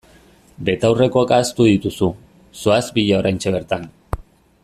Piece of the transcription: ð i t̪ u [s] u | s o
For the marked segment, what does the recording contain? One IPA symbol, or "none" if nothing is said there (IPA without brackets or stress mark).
s